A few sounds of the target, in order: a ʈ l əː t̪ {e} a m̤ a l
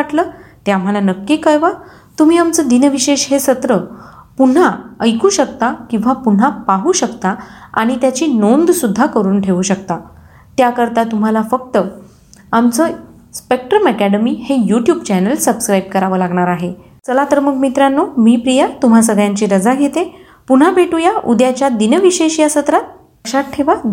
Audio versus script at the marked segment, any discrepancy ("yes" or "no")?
no